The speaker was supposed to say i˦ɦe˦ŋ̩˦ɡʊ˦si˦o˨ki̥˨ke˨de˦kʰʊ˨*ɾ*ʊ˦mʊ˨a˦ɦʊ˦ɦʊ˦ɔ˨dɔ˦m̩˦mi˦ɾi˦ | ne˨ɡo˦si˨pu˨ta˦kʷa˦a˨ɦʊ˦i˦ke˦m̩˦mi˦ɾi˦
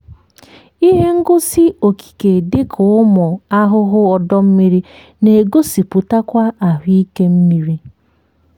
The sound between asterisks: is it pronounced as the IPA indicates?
no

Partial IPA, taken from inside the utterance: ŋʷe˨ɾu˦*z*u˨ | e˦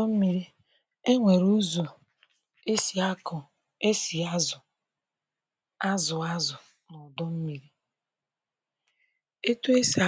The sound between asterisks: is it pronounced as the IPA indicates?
yes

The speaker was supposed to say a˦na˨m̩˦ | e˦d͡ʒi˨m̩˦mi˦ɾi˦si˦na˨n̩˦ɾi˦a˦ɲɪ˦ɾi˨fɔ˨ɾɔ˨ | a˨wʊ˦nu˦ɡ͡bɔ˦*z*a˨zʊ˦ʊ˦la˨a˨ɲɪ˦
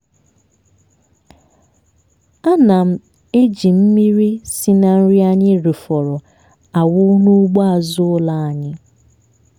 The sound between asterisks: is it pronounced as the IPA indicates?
no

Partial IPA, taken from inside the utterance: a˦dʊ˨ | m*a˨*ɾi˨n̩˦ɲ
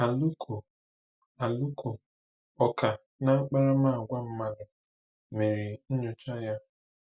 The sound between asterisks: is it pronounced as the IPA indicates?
no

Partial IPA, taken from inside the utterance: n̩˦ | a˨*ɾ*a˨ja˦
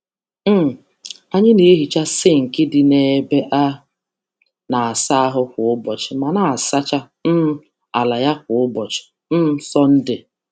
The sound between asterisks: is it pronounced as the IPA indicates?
no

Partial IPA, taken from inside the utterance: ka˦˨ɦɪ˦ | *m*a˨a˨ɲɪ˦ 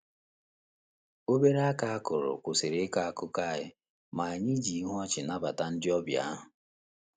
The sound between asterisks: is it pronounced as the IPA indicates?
yes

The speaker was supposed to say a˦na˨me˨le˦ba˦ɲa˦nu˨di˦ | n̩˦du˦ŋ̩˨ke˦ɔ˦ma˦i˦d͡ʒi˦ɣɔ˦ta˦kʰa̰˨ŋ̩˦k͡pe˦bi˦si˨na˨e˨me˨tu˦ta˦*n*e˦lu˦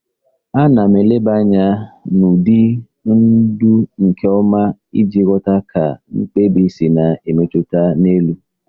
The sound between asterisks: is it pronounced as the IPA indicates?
yes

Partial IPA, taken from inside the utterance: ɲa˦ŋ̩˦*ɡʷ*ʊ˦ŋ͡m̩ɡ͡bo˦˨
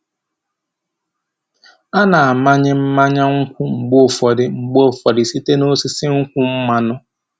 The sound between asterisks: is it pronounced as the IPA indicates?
no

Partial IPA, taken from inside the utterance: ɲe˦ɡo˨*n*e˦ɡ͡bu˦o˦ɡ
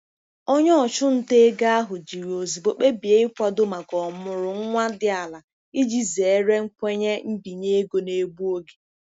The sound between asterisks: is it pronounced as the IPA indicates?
yes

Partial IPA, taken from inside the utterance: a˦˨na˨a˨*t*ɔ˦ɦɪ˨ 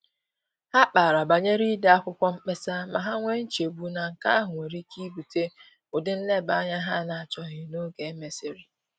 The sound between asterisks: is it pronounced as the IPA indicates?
no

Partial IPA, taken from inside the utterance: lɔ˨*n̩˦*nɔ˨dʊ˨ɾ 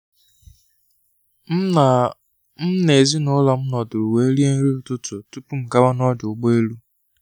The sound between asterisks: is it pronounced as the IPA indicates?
no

